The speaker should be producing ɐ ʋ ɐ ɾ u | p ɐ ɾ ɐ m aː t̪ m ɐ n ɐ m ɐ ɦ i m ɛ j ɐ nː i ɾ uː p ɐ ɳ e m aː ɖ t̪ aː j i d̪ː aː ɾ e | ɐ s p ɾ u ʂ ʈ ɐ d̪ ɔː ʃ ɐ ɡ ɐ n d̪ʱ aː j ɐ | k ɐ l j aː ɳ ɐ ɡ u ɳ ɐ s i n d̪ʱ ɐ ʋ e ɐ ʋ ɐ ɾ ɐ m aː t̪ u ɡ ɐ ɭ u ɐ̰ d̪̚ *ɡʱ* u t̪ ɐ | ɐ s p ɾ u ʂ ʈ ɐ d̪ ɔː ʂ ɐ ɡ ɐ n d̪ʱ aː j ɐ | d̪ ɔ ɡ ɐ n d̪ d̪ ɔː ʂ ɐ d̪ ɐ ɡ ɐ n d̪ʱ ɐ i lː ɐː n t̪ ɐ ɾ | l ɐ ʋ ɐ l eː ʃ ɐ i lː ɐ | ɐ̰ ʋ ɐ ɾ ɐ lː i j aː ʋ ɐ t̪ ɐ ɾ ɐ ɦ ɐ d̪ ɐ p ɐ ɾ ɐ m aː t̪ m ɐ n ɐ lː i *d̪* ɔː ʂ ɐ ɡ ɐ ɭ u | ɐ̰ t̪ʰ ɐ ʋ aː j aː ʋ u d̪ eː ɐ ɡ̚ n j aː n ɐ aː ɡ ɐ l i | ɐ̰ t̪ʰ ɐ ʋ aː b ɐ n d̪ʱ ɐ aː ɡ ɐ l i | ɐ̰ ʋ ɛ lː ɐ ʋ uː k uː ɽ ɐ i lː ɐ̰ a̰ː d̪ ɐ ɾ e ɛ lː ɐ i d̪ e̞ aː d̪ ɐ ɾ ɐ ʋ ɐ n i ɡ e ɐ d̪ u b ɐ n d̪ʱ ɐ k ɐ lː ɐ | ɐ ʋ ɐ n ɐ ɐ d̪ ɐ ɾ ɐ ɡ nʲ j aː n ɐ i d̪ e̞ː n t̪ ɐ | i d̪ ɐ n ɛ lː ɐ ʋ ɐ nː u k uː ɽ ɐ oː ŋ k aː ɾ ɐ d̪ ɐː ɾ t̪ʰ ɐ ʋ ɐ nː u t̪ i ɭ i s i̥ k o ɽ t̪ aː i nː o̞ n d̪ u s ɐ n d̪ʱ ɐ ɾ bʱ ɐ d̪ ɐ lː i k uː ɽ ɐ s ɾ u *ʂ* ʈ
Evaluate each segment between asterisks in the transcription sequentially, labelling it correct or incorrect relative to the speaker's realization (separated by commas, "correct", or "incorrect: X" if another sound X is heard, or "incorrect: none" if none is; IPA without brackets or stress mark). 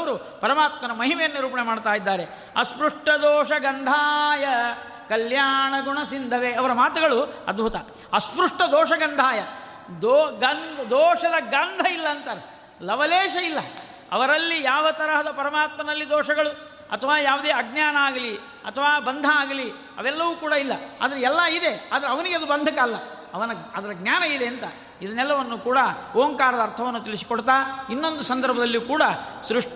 incorrect: bʱ, correct, correct